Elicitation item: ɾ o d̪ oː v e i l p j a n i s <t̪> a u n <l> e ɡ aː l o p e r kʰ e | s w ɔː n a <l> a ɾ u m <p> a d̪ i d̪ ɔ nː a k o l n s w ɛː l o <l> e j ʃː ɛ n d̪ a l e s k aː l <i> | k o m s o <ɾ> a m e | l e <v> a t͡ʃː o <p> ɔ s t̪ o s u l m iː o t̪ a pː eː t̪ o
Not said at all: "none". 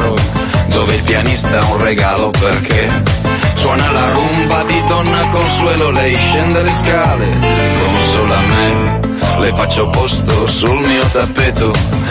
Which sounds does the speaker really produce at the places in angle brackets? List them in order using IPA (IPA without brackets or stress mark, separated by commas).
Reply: t̪, r, l, b, l, e, l, f, p